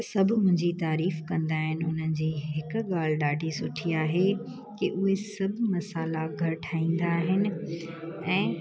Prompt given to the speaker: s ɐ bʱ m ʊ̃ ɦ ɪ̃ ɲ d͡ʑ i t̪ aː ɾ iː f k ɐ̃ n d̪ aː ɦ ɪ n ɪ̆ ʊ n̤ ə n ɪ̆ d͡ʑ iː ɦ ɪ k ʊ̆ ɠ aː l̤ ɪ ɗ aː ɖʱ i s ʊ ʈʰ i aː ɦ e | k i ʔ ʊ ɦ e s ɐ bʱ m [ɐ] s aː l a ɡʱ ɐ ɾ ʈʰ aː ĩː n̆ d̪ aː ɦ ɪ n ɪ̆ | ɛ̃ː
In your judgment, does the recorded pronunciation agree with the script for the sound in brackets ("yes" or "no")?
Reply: yes